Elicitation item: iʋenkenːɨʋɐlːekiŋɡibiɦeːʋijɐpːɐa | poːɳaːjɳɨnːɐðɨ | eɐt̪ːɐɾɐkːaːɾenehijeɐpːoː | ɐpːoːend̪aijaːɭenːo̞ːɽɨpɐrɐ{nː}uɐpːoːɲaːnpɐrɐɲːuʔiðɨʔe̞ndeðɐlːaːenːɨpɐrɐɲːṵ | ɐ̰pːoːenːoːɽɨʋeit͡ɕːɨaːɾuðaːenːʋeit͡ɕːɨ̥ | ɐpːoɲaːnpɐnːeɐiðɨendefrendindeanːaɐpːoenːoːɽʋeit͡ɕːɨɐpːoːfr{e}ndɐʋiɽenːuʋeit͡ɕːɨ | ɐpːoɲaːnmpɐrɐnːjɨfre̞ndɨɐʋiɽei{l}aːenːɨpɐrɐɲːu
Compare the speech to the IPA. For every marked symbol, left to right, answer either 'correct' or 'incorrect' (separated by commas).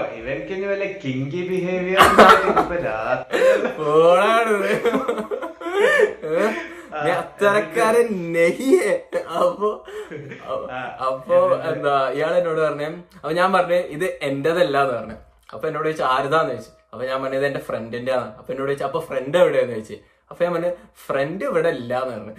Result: incorrect, correct, incorrect